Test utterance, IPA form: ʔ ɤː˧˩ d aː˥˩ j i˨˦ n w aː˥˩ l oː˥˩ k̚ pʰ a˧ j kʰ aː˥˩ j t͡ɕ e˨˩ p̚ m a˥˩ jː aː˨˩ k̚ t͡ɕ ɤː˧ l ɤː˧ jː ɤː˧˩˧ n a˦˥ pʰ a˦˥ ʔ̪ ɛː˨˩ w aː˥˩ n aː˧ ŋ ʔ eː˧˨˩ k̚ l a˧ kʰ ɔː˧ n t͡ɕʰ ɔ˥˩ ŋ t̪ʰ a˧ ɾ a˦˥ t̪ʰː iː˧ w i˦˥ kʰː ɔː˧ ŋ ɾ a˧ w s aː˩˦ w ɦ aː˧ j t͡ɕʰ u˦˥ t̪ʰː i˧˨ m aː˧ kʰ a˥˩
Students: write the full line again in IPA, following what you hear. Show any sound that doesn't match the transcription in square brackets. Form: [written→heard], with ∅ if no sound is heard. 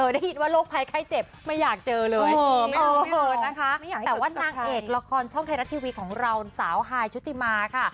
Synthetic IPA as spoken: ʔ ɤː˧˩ d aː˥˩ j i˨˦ n w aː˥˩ l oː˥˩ k̚ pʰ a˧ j kʰ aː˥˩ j t͡ɕ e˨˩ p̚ m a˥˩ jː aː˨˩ k̚ t͡ɕ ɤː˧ l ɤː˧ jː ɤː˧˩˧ n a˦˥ [pʰ→kʰ] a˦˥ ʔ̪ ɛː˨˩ w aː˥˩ n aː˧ ŋ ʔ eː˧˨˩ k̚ l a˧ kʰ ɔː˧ n t͡ɕʰ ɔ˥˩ ŋ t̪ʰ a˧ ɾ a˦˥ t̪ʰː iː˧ w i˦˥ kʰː [ɔː˧→ɔː˩˦] ŋ ɾ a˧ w s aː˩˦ w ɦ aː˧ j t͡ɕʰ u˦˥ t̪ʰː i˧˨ m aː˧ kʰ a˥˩